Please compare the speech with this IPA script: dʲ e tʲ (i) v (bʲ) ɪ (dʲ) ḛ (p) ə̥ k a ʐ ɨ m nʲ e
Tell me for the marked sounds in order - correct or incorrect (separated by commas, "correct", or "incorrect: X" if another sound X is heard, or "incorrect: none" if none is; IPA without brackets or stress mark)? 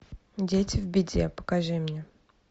incorrect: ɪ, correct, correct, correct